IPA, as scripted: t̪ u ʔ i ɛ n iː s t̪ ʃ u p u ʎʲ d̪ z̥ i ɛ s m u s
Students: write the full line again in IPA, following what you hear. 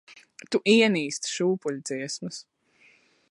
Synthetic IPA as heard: t̪ u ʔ i ɛ n iː s t̪ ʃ uː p u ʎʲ d̪ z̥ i ɛ s m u s